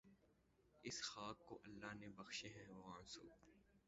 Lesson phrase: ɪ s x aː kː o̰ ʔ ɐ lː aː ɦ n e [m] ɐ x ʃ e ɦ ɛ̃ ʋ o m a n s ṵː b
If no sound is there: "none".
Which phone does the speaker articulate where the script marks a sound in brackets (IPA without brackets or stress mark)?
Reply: b